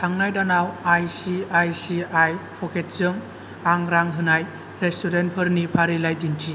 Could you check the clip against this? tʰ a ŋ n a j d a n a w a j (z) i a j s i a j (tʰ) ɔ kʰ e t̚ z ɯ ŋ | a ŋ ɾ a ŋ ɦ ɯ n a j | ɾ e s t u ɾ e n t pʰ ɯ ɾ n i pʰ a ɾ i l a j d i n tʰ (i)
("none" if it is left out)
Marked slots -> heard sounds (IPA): s, pʰ, i

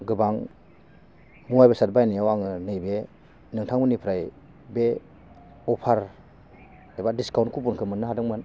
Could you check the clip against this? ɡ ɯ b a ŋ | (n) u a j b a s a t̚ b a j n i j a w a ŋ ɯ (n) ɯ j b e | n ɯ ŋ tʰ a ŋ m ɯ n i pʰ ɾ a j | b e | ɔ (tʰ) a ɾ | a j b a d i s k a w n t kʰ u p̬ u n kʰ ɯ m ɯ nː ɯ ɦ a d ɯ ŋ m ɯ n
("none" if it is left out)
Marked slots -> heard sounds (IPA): m, n, pʰ

